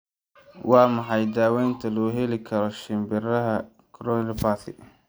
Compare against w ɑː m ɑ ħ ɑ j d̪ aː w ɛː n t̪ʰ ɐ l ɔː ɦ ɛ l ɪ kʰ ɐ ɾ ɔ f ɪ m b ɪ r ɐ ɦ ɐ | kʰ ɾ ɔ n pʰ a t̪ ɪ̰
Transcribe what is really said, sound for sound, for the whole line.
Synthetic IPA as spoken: w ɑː m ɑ ħ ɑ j d̪ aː w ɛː n t̪ʰ ɐ l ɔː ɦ ɛ l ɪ kʰ ɐ ɾ ɔ ʃ ɪ m b ɪ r ɐ ɦ ɐ | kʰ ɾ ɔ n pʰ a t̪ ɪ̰